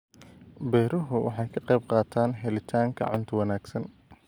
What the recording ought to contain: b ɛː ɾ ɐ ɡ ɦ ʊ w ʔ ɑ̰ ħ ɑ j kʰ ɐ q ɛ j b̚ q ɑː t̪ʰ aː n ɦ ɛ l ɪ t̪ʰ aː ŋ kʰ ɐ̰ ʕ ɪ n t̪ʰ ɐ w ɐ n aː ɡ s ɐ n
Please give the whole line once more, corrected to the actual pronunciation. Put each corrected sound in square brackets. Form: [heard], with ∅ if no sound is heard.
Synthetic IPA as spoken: b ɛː ɾ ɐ [∅] ɦ ʊ w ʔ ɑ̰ ħ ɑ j kʰ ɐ q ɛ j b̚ q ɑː t̪ʰ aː n ɦ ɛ l ɪ t̪ʰ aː ŋ kʰ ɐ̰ ʕ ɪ n t̪ʰ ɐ w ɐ n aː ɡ s ɐ n